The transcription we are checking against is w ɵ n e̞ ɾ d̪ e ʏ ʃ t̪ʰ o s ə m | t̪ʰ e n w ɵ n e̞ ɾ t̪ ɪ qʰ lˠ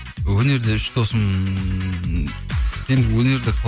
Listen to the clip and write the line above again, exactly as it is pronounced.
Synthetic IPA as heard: w ɵ n e̞ ɾ d̪ e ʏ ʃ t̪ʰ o s ə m | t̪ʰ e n w ɵ n e̞ ɾ d̪ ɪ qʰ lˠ